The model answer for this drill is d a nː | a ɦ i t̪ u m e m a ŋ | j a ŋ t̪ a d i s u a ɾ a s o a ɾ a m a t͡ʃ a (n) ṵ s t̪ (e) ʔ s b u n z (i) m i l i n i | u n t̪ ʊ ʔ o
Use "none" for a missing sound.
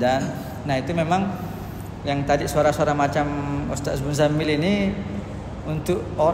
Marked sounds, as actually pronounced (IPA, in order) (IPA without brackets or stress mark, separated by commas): m, a, a